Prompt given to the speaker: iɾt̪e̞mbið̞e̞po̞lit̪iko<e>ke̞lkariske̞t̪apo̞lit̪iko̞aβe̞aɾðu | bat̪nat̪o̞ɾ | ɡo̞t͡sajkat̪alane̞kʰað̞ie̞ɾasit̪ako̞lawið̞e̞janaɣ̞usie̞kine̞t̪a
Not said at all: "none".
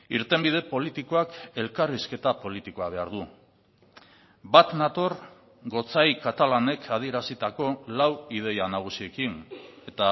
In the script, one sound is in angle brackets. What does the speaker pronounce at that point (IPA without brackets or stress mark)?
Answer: a